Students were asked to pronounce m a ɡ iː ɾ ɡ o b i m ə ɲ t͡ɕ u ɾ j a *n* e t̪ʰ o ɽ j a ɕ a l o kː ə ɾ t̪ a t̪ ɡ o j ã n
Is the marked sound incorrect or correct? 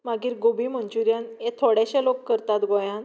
correct